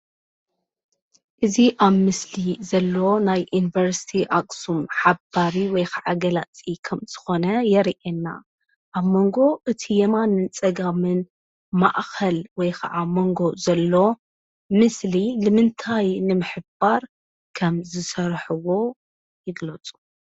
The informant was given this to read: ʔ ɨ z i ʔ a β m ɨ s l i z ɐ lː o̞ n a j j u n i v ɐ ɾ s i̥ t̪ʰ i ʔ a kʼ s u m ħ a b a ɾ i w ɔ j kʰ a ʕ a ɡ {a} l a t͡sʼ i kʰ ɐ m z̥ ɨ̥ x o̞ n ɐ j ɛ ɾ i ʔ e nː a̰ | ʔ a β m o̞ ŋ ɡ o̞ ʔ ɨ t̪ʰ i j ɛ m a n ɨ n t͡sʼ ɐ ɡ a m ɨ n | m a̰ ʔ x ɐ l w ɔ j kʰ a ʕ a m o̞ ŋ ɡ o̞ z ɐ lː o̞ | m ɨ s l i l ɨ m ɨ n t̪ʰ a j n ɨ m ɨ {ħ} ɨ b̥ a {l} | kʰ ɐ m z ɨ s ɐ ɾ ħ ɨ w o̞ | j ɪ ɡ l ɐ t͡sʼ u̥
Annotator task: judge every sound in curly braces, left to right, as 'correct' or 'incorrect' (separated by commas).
incorrect, correct, incorrect